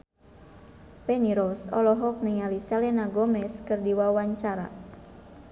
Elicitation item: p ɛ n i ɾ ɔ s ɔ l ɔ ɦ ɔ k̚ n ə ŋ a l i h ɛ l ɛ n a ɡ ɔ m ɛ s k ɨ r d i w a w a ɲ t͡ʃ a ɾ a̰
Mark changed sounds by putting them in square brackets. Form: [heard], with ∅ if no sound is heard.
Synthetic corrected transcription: p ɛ n i ɾ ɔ s ɔ l ɔ ɦ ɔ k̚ n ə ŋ a l i [s] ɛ l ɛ n a ɡ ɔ m ɛ s k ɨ r d i w a w a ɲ t͡ʃ a ɾ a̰